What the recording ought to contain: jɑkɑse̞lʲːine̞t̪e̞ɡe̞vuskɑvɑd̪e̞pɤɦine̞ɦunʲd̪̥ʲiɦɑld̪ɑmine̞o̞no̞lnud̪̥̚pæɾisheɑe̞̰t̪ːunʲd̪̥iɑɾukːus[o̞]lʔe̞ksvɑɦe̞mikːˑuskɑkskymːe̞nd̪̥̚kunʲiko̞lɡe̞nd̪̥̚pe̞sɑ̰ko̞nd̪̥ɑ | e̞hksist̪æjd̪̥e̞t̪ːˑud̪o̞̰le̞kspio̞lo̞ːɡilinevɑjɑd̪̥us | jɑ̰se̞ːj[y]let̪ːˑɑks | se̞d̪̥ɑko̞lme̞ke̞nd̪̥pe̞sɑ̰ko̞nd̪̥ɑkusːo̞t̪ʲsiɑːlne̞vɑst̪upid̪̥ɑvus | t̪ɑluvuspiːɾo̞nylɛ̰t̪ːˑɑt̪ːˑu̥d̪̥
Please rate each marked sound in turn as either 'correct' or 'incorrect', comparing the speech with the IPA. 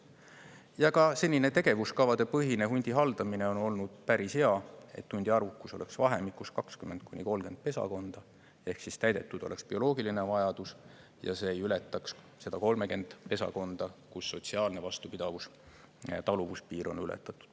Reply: correct, correct

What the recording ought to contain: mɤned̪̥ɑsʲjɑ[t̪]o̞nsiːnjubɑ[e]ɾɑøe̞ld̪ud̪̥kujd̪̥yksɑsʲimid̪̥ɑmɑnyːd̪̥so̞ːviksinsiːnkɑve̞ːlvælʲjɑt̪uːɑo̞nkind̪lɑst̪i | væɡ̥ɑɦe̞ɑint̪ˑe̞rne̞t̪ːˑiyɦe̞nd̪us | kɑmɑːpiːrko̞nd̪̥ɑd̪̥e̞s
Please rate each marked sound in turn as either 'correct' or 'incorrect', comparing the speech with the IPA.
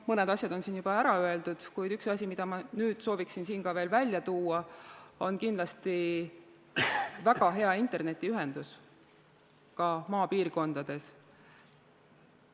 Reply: incorrect: d̪, incorrect: æ

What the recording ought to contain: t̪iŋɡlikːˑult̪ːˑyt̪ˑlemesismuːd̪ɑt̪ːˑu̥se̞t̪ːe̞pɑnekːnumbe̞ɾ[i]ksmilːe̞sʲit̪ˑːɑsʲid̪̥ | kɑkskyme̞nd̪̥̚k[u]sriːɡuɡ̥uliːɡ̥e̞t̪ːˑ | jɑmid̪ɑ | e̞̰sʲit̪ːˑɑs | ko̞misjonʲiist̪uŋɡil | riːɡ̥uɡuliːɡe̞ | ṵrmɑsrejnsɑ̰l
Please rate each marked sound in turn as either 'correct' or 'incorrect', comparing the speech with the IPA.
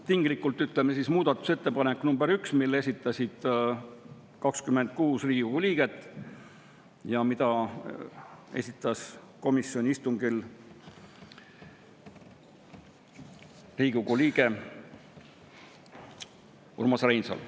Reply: incorrect: y, incorrect: uː

